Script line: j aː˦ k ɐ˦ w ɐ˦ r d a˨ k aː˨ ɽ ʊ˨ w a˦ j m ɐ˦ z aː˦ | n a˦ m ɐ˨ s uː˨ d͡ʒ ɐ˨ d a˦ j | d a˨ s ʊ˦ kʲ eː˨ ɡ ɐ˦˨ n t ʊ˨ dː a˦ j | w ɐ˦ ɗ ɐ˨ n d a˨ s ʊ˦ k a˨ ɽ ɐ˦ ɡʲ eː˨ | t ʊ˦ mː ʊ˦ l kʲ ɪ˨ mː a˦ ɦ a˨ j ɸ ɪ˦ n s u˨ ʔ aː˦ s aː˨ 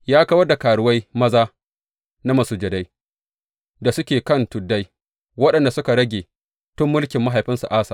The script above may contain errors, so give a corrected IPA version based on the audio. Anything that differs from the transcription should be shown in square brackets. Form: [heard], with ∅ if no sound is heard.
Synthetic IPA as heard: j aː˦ k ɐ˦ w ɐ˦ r d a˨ k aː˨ ɽ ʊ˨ w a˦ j m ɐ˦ z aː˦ | n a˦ m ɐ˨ s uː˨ d͡ʒ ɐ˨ d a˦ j | d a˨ s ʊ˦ kʲ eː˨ [k] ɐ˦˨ n t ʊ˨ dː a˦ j | w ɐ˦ ɗ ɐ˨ n d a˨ s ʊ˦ k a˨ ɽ ɐ˦ ɡʲ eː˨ | t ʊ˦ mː ʊ˦ l kʲ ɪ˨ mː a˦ ɦ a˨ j ɸ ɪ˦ n s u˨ ʔ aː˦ s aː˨

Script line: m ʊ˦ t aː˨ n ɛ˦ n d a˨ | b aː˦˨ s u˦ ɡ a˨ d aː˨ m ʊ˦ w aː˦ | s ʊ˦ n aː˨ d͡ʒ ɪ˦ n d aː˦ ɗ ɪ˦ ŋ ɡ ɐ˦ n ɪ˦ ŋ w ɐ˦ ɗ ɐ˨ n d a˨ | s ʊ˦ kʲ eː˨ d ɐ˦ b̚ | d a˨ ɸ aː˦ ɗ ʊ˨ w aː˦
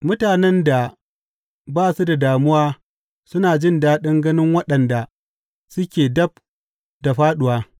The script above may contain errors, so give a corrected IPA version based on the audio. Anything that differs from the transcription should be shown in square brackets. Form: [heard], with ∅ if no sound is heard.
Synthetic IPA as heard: m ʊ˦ t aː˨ n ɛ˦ n d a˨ | b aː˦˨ s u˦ [d] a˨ d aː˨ m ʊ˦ w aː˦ | s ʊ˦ n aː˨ d͡ʒ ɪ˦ n d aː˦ ɗ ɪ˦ ŋ ɡ ɐ˦ n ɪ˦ ŋ w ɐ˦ ɗ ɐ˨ n d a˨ | s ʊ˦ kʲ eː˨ d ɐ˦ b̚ | d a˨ ɸ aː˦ ɗ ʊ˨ w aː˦

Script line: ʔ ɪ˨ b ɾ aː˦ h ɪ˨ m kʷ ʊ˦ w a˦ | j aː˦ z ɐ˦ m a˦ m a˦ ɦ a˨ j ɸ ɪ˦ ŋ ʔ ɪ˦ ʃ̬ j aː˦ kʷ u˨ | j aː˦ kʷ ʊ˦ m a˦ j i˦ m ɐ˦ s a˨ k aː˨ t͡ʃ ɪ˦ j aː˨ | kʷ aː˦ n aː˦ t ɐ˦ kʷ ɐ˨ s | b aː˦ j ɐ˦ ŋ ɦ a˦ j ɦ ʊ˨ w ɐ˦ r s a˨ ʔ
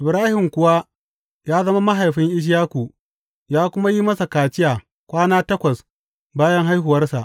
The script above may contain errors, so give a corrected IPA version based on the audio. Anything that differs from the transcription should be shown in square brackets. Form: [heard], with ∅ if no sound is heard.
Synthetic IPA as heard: ʔ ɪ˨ b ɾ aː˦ h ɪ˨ m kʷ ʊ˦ w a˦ | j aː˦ z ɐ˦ m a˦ m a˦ ɦ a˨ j ɸ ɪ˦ ŋ ʔ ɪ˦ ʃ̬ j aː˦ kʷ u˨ | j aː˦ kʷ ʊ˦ m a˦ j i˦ m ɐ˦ s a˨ k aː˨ t͡ʃ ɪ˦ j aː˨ | kʷ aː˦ n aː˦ t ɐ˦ kʷ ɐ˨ s | b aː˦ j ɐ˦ ŋ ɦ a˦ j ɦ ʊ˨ w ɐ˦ r s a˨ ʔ

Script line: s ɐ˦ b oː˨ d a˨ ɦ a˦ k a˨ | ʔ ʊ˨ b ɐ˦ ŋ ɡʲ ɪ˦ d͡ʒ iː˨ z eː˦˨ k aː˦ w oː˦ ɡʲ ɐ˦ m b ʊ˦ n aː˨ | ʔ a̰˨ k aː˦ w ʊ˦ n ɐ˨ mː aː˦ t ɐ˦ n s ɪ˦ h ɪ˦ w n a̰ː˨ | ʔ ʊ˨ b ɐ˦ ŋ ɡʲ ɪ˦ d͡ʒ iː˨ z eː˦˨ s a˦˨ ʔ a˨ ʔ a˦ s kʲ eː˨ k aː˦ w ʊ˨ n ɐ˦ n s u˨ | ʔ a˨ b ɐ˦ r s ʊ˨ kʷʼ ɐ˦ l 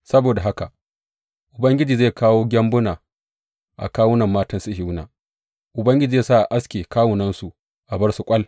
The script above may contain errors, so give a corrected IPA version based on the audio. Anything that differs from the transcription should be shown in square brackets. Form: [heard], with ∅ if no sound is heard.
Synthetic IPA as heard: s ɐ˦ b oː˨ d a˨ ɦ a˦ k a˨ | ʔ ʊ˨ b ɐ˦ ŋ ɡʲ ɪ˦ d͡ʒ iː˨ z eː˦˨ k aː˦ w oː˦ ɡʲ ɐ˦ m b ʊ˦ n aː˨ | ʔ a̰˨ k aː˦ w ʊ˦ n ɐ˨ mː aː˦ t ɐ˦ n s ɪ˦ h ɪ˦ w n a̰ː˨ | ʔ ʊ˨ b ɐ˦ ŋ ɡʲ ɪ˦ d͡ʒ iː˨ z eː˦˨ s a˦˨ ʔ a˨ ʔ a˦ s kʲ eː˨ k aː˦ w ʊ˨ n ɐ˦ n s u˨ | ʔ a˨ b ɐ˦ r s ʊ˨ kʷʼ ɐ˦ l

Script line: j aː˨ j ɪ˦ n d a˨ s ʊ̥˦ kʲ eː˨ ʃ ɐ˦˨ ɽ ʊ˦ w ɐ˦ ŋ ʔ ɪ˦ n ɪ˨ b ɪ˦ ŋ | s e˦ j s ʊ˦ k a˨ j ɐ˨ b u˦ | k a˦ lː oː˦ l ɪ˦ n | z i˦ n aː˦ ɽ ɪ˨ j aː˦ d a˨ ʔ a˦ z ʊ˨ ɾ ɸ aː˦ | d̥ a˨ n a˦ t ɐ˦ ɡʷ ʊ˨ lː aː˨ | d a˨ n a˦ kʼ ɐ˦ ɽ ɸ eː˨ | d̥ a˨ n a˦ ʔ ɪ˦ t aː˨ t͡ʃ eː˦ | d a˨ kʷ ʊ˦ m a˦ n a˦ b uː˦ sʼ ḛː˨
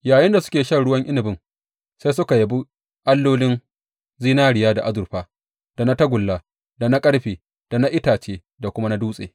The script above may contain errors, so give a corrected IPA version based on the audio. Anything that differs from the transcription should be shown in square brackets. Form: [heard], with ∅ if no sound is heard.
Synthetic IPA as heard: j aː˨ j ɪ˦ n d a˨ s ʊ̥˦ kʲ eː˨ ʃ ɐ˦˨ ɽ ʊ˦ w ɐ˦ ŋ ʔ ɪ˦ n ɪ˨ b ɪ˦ ŋ | s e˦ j s ʊ˦ k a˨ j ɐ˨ b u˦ | [ʔ] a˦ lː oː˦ l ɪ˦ n | z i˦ n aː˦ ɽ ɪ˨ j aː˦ d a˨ ʔ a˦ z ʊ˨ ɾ ɸ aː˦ | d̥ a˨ n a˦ t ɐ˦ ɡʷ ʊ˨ lː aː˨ | d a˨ n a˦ kʼ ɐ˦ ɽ ɸ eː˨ | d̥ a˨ n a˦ ʔ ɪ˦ t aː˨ t͡ʃ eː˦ | d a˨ kʷ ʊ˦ m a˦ n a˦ [d] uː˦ sʼ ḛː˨

